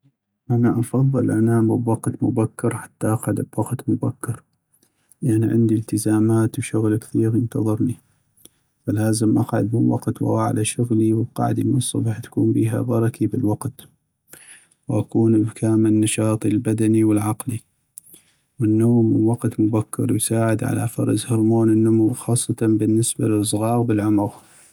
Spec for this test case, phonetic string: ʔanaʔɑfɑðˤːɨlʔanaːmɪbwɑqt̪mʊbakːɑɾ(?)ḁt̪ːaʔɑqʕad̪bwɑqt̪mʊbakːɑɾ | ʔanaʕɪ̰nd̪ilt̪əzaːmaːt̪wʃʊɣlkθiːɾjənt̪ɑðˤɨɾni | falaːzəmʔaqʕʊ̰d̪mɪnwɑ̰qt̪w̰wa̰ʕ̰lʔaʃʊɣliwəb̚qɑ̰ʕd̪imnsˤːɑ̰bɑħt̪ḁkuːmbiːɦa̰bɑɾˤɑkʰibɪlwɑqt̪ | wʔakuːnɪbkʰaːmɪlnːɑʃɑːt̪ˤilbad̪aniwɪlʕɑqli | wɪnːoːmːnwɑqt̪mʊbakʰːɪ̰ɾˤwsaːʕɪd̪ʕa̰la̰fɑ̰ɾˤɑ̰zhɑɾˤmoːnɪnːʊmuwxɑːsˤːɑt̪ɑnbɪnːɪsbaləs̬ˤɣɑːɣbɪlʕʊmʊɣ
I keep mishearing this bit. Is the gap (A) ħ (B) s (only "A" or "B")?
A